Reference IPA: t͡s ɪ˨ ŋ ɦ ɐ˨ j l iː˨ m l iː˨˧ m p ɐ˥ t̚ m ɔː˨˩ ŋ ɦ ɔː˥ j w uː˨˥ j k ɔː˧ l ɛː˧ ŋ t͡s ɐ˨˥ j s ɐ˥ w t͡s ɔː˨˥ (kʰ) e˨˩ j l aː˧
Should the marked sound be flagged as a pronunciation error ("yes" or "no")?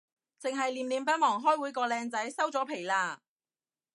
yes